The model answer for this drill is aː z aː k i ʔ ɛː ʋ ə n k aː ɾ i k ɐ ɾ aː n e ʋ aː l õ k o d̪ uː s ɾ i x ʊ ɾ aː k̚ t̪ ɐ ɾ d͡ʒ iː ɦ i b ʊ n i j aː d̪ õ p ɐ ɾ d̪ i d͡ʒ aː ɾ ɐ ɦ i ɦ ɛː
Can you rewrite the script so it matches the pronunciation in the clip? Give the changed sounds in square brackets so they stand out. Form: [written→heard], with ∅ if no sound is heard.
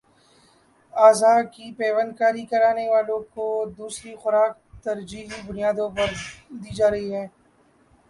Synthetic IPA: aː z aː k i [ʔ→p] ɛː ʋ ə n k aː ɾ i k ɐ ɾ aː n e ʋ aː l õ k o d̪ uː s ɾ i x ʊ ɾ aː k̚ t̪ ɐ ɾ d͡ʒ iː ɦ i b ʊ n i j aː d̪ õ p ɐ ɾ d̪ [i→iː] d͡ʒ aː ɾ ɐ ɦ i ɦ ɛː